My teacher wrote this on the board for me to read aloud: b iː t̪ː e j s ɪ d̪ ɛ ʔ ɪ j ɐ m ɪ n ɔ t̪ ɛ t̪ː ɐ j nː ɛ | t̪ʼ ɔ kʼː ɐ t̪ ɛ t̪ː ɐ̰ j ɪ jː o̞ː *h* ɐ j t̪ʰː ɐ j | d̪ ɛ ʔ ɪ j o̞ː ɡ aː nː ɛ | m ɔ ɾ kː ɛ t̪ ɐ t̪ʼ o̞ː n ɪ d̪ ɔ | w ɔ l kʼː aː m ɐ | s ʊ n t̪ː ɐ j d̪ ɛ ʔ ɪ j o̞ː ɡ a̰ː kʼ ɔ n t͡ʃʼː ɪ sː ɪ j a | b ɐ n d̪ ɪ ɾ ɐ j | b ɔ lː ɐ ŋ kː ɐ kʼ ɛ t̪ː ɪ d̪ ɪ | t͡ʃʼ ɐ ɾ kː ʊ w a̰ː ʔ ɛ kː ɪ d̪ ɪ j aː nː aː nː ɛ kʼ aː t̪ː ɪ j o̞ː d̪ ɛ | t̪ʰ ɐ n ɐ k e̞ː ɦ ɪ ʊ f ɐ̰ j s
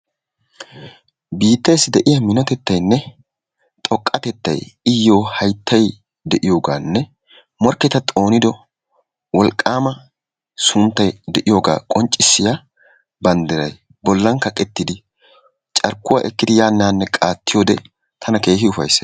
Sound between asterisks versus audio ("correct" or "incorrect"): correct